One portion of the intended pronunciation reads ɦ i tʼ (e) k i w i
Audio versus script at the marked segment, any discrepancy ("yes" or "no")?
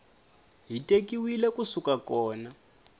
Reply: no